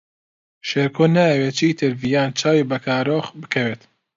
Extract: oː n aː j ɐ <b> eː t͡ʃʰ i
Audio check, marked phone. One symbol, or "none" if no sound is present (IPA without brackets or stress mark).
w